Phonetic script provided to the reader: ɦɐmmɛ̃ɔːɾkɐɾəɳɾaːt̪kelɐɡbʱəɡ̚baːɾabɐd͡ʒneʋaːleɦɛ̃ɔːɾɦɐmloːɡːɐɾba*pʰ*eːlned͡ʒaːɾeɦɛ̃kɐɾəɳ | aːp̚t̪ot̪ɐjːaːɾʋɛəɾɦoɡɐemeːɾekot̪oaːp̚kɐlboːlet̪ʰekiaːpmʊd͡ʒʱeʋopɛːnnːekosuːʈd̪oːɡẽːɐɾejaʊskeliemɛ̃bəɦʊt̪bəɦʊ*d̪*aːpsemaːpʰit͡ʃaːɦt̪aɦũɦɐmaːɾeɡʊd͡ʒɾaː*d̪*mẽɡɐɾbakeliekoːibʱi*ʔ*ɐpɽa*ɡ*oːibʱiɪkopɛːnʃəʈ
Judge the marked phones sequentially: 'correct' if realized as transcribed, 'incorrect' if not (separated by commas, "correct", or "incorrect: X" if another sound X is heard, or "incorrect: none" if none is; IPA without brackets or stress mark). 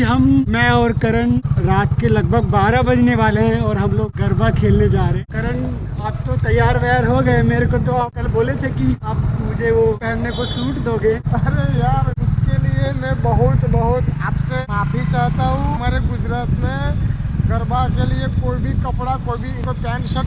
incorrect: kʰ, incorrect: t̪, incorrect: t̪, incorrect: k, incorrect: k